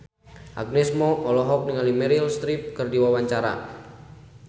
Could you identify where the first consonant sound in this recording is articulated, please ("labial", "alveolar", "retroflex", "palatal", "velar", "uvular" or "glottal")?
glottal